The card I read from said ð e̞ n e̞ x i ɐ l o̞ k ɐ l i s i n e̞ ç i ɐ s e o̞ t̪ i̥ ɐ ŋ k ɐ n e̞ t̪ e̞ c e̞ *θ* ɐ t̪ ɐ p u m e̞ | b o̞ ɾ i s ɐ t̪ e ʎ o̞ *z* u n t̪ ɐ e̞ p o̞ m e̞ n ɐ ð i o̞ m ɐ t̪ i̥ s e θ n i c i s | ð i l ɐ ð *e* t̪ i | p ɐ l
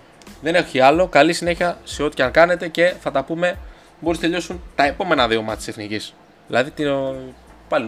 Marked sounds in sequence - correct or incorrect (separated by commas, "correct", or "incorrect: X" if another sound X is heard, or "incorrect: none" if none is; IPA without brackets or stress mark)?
correct, incorrect: s, incorrect: i